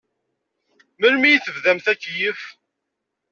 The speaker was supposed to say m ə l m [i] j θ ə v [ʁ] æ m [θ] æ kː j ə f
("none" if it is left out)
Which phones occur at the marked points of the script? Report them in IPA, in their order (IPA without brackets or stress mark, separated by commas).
i, ð, θ